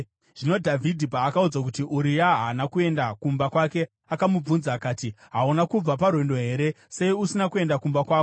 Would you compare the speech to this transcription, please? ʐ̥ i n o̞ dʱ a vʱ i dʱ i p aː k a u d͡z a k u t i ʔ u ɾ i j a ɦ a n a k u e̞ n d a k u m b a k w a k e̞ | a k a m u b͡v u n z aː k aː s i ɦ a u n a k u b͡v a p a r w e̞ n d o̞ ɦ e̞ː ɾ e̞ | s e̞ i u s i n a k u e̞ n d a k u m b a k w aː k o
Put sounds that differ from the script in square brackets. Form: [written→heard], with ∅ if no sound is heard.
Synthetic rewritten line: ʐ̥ i n o̞ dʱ a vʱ i dʱ i p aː k a u d͡z a k u t i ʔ u ɾ i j a ɦ a n a k u e̞ n d a k u m b a k w a k e̞ | a k a m u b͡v u n z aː k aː [s→t] i ɦ a u n a k u b͡v a p a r w e̞ n d o̞ ɦ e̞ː ɾ e̞ | s e̞ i u s i n a k u e̞ n d a k u m b a k w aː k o